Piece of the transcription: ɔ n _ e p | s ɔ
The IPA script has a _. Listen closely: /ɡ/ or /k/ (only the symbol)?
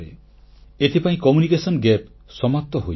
ɡ